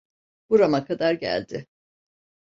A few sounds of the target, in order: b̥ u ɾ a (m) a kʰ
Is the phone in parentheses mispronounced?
no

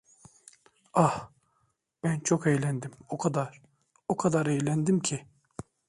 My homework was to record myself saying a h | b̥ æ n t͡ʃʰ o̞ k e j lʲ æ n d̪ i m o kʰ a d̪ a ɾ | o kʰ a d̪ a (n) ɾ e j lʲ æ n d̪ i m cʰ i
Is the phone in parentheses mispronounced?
yes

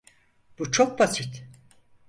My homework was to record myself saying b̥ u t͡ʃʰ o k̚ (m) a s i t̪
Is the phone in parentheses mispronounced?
yes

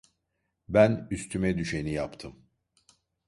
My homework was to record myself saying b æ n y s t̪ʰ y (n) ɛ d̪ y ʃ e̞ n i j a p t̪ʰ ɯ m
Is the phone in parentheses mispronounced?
yes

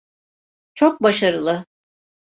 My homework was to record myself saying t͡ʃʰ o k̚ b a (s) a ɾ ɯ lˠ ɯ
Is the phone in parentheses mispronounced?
yes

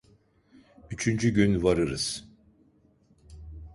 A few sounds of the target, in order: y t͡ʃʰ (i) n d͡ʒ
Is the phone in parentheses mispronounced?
yes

